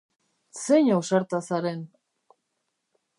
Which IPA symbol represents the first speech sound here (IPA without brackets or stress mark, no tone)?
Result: s